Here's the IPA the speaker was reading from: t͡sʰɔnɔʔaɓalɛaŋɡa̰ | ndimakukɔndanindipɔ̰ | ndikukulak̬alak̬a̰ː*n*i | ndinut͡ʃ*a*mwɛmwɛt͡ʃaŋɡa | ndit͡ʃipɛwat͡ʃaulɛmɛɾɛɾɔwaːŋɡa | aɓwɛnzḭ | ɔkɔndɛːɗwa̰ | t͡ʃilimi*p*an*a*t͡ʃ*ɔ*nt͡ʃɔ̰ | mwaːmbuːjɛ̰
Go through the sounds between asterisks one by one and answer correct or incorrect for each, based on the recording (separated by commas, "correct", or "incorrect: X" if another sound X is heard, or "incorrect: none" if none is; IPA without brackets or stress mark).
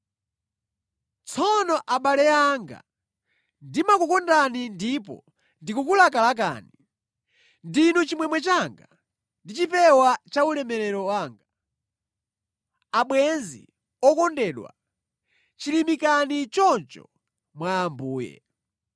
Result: correct, incorrect: i, incorrect: k, incorrect: i, correct